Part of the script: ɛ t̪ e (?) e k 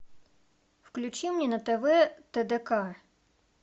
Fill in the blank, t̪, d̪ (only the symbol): d̪